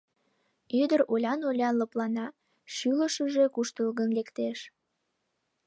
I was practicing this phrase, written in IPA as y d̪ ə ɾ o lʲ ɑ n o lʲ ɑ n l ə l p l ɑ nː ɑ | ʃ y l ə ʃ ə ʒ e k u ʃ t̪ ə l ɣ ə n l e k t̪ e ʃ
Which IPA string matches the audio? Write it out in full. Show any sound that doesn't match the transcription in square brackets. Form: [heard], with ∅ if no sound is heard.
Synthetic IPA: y d̪ ə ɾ o lʲ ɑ n o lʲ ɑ n l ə [∅] p l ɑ [n] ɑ | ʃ y l ə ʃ ə ʒ e k u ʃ t̪ ə l ɣ ə n l e k t̪ e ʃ